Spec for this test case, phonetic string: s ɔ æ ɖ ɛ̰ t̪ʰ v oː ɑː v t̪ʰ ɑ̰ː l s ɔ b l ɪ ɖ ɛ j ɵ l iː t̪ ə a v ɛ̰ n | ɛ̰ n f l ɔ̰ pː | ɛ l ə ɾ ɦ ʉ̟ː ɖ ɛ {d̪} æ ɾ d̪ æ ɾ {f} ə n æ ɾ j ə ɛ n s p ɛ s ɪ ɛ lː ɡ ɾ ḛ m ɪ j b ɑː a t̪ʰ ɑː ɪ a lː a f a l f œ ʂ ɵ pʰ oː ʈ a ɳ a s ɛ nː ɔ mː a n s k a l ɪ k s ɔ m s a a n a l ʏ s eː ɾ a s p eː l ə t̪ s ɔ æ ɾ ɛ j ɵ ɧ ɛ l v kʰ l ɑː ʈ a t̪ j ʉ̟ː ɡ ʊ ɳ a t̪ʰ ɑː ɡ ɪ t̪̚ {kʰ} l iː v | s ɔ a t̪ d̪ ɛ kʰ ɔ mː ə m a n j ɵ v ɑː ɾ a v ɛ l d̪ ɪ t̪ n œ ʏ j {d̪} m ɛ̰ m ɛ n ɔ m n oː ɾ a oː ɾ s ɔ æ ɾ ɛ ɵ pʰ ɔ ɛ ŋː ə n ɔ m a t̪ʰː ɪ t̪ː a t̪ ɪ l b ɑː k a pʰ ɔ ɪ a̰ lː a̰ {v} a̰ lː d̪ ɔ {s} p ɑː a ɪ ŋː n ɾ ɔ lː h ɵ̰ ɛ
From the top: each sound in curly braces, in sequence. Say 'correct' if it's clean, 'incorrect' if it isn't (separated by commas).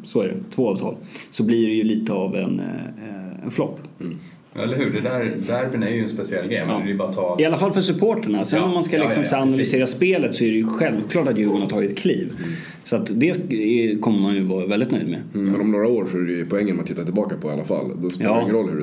correct, correct, correct, correct, incorrect, correct